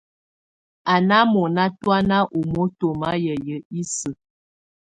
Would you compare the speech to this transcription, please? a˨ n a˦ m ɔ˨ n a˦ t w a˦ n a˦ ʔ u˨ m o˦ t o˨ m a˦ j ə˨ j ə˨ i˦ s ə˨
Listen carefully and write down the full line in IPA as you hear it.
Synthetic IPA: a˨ n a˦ m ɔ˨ n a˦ t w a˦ n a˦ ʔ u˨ m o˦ t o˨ m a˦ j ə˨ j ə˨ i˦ s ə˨